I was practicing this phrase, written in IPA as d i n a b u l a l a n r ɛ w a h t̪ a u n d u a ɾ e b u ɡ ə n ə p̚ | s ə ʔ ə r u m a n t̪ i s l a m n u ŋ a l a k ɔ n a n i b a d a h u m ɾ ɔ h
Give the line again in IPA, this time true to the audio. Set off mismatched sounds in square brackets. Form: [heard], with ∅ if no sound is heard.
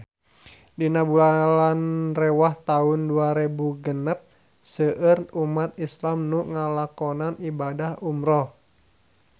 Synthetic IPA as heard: d i n a b u l a l a n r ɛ w a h t̪ a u n d u a ɾ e b u ɡ ə n ə p̚ | s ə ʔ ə r u m a [∅] t̪ i s l a m n u ŋ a l a k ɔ n a n i b a d a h u m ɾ ɔ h